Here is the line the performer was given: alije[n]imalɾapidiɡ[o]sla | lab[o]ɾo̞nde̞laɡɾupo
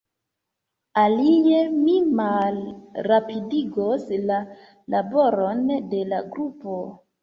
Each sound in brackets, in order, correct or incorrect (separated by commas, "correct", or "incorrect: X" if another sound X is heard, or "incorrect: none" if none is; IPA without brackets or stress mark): incorrect: m, correct, correct